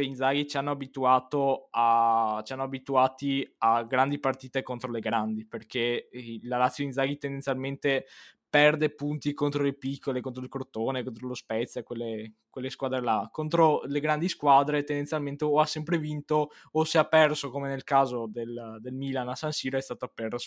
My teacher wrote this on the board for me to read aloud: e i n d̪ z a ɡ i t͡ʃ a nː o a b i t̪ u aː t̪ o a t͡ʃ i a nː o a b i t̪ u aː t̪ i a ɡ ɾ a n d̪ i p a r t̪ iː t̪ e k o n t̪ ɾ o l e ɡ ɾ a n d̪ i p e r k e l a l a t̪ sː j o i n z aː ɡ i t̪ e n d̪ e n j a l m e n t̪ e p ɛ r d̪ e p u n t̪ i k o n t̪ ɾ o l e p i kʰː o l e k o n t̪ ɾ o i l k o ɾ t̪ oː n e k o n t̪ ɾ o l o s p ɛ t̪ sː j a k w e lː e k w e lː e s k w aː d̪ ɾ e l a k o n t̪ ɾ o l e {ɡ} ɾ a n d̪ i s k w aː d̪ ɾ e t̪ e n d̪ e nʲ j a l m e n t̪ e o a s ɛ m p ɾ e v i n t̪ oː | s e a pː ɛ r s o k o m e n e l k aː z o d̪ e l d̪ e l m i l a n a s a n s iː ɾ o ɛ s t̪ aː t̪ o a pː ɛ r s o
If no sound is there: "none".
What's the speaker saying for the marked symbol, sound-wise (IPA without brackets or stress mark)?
ɡ